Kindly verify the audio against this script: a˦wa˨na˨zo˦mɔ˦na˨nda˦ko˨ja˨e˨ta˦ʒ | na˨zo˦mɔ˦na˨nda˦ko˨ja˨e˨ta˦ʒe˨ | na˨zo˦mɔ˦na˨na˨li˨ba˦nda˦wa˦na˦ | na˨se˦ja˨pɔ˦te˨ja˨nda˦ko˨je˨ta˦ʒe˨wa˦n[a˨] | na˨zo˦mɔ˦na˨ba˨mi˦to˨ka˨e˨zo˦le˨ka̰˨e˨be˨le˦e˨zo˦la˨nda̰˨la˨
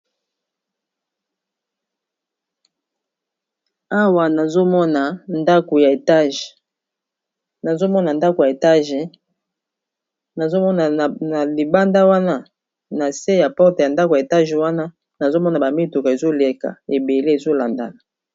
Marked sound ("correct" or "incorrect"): incorrect